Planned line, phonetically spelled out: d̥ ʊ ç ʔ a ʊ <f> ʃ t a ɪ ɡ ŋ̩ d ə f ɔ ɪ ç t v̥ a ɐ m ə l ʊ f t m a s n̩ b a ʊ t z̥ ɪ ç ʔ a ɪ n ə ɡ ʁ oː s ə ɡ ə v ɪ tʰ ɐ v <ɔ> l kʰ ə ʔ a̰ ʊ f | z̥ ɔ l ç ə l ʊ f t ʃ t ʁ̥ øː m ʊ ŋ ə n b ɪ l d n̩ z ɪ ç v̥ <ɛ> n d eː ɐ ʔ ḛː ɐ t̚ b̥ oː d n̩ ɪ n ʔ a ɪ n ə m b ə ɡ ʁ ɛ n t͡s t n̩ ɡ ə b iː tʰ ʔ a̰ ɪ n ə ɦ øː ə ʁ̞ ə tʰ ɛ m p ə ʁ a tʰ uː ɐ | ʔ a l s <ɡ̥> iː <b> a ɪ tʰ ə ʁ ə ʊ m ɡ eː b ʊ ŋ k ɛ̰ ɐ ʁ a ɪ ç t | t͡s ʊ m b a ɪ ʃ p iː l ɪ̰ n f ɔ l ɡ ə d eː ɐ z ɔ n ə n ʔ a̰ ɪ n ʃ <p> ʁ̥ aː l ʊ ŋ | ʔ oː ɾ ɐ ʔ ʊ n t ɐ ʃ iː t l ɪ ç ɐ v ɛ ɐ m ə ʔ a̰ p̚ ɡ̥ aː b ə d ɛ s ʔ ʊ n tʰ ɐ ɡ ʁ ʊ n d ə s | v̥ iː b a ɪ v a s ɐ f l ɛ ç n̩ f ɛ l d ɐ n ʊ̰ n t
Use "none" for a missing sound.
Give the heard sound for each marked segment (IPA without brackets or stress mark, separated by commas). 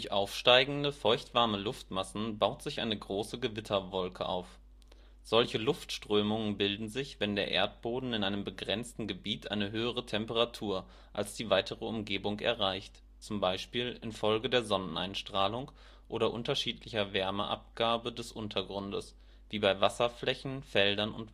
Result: f, ɔ, ɛ, d̥, v, t